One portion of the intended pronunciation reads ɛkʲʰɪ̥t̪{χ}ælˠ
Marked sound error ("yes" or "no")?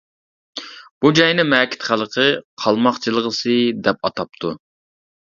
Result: no